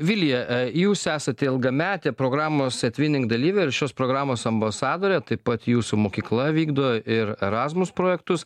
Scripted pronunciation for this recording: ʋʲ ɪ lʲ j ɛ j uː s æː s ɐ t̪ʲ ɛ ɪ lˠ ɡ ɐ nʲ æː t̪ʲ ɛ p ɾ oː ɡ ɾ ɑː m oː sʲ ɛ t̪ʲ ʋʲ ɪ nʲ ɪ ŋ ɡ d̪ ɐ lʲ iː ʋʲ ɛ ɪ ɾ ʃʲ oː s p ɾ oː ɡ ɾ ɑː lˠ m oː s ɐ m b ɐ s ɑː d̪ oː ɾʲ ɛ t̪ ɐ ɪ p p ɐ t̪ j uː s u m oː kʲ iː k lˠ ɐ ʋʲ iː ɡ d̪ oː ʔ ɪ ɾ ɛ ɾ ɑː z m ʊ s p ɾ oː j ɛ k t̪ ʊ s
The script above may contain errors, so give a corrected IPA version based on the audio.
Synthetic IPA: ʋʲ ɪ lʲ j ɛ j uː s æː s ɐ t̪ʲ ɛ ɪ lˠ ɡ ɐ mʲ æː t̪ʲ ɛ p ɾ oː ɡ ɾ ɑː m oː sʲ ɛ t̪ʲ ʋʲ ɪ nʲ ɪ ŋ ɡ d̪ ɐ lʲ iː ʋʲ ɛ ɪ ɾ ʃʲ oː s p ɾ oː ɡ ɾ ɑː m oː s ɐ m b ɐ s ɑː d̪ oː ɾʲ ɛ t̪ ɐ ɪ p p ɐ t̪ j uː s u m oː kʲ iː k lˠ ɐ ʋʲ iː ɡ d̪ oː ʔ ɪ ɾ ɛ ɾ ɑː z m ʊ s p ɾ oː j ɛ k t̪ ʊ s